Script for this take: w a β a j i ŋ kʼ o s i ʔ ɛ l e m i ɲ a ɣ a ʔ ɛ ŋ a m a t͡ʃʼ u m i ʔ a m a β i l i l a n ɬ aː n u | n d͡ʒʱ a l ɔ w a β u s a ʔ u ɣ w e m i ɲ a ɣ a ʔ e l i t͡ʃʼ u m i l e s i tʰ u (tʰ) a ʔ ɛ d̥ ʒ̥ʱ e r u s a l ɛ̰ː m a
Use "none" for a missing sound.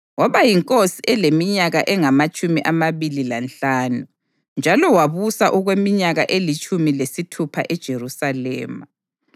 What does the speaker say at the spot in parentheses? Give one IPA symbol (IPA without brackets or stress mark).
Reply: pʰ